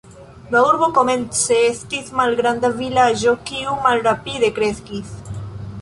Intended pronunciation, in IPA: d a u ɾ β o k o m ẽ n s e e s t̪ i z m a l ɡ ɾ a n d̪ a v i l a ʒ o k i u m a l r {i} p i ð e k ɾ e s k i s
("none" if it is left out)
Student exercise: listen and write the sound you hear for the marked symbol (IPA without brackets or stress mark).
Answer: a